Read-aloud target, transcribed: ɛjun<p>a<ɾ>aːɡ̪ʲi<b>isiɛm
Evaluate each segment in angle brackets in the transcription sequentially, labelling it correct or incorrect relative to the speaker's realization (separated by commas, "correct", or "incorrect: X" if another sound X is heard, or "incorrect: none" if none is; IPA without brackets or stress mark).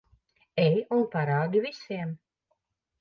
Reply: correct, correct, incorrect: v